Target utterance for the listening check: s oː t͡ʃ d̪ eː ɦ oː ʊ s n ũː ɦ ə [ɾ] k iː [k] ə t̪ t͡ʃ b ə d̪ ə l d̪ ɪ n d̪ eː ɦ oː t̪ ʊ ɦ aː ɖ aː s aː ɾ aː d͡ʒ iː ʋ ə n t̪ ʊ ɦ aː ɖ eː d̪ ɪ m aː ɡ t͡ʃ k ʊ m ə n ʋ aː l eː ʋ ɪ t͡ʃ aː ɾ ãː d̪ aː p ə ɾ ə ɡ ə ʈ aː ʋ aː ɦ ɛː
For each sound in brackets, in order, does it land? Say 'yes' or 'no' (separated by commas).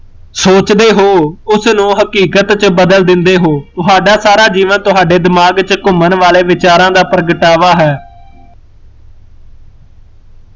no, yes